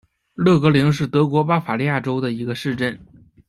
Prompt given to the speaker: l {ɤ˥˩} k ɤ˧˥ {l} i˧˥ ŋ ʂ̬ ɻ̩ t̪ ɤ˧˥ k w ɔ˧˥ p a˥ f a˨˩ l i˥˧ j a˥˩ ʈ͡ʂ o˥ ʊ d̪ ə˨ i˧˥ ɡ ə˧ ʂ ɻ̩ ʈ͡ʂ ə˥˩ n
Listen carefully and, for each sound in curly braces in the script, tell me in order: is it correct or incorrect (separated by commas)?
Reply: correct, correct